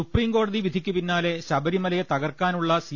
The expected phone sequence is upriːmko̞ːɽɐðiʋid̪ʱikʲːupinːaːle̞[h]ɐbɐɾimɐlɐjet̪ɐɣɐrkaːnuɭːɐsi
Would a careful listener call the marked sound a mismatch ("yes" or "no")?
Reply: yes